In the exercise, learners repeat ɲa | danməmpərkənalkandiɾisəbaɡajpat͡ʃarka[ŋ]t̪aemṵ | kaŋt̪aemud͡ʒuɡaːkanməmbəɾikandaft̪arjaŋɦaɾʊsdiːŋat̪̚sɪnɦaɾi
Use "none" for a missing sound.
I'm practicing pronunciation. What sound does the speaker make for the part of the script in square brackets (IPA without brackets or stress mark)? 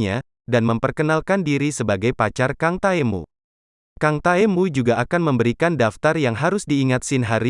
ŋ